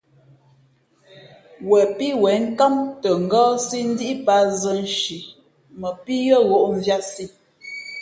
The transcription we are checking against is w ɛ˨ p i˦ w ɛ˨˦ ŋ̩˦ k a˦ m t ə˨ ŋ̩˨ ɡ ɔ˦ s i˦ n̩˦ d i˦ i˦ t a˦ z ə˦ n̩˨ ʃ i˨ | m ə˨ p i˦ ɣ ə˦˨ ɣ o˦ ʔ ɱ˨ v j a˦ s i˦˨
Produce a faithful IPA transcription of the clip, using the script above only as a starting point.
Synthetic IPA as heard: w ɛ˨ p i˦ w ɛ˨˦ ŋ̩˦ k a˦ m t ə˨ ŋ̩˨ ɡ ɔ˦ s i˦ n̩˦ d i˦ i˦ p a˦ z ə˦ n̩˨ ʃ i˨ | m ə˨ p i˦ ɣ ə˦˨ ɣ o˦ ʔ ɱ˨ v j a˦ s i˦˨